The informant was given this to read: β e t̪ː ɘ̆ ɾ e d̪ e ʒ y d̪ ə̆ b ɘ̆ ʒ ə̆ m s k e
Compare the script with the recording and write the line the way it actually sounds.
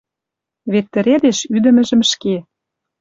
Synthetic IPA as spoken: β e t̪ː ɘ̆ ɾ e d̪ e ʃ y d̪ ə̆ m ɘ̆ ʒ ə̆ m ʃ k e